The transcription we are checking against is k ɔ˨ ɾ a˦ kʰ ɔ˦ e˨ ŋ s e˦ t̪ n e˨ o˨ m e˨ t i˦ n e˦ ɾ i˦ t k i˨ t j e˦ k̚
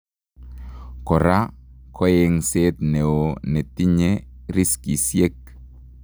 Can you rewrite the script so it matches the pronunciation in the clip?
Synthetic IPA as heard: k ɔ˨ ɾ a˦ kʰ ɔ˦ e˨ ŋ s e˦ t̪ n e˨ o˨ n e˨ t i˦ ɲ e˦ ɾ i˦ s k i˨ s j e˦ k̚